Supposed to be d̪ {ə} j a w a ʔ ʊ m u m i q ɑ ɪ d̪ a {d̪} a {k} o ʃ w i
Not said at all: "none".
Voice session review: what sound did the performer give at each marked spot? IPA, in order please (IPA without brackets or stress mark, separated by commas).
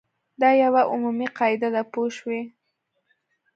ɑ, d̪, p